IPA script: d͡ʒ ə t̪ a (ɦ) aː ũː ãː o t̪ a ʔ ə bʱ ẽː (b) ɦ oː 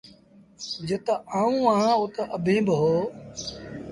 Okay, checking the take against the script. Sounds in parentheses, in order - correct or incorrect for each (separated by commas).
incorrect, correct